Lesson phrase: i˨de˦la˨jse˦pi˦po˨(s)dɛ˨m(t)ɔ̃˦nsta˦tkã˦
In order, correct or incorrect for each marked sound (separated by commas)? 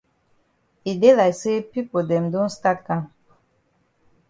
incorrect, incorrect